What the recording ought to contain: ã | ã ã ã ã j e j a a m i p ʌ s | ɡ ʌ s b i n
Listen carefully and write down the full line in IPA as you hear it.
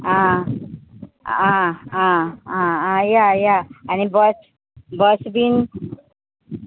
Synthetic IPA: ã | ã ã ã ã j a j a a n i b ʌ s | b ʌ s b i n

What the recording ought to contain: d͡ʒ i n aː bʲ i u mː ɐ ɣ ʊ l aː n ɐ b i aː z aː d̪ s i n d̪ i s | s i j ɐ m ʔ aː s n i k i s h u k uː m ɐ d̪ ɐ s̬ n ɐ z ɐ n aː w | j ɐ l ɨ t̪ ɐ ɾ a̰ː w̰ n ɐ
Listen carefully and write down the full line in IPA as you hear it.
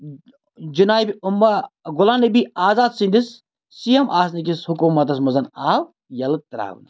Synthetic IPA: d͡ʒ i n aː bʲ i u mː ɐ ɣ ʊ l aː n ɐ b i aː z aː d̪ s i n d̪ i s | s i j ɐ m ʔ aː s n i k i s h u k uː m ɐ t̪ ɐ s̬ m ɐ z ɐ n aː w | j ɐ l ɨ t̪ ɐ ɾ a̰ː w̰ n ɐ

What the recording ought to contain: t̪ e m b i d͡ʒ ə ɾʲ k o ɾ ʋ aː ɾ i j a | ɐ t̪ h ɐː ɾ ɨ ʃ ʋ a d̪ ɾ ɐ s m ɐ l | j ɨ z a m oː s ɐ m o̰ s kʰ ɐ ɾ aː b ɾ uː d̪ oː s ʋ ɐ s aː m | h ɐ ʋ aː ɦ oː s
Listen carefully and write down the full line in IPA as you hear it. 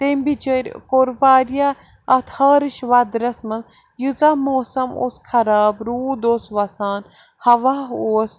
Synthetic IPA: t̪ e m b i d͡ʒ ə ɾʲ k o ɾ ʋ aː ɾ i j a | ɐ t̪ h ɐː ɾ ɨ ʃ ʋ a d̪ ɾ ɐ s m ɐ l | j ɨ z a m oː s ɐ m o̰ s kʰ ɐ ɾ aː b ɾ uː d̪ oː s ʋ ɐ s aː n | h ɐ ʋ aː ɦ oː s

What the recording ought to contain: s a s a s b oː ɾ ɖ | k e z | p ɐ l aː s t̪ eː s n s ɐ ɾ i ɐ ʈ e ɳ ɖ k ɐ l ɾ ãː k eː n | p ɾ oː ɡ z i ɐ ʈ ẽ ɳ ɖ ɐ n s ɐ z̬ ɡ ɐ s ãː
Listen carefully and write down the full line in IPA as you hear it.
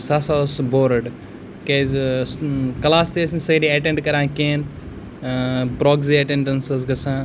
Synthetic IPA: s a s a s b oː ɾ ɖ | k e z | k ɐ l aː s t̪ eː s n s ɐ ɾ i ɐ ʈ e ɳ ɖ k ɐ ɾ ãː k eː n | p ɾ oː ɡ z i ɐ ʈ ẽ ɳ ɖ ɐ n s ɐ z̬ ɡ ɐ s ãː

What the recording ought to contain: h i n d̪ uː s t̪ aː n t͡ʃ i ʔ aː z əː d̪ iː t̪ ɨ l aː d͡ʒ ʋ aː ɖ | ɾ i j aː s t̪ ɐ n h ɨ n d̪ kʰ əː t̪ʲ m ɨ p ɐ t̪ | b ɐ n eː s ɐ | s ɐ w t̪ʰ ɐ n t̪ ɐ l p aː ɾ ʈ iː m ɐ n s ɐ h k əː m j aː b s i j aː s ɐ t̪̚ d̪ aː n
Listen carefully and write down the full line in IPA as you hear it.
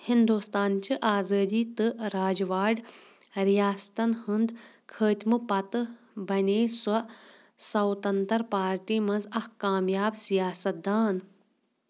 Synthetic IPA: h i n d̪ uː s t̪ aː n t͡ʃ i ʔ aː z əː d̪ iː t̪ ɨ ɾ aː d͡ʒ ʋ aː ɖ | ɾ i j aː s t̪ ɐ n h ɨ n d̪ kʰ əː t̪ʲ m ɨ p ɐ t̪ | b ɐ n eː s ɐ | s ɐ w t̪ ɐ n t̪ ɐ ɾ p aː ɾ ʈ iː m ɐ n z ɐ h k aː m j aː b s i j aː s ɐ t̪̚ d̪ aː n

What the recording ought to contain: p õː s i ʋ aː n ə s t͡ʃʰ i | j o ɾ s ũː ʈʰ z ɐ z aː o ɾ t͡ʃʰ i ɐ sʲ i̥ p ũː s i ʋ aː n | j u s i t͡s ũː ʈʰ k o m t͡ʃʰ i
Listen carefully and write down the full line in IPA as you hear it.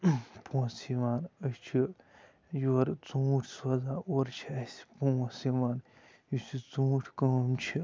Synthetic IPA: p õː s i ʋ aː n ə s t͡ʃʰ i | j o ɾ t͡s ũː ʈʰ s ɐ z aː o ɾ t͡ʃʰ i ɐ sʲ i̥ p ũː s i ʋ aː n | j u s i t͡s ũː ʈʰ k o m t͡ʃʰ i

